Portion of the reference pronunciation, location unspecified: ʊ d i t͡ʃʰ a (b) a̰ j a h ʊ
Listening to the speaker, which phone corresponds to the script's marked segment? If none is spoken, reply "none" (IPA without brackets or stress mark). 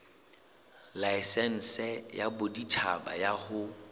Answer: b